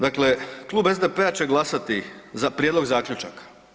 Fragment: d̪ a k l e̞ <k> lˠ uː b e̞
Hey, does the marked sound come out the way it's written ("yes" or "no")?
yes